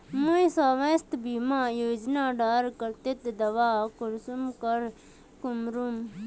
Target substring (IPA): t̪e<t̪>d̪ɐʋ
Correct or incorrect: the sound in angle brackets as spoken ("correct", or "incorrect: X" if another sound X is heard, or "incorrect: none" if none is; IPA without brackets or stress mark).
correct